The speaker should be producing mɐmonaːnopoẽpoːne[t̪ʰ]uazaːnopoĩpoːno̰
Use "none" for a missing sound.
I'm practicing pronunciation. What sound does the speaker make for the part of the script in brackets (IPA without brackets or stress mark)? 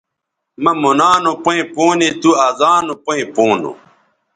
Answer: t̪